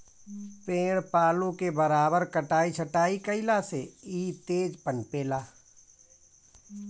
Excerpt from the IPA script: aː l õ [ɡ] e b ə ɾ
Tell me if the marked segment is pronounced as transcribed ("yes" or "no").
no